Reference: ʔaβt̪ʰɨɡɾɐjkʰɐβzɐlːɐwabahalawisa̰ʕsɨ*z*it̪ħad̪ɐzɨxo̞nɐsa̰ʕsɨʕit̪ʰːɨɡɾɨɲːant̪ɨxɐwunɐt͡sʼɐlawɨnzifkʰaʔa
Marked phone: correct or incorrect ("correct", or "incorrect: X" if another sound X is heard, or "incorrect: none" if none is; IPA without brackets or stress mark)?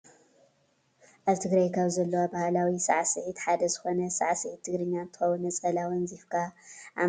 incorrect: ʕ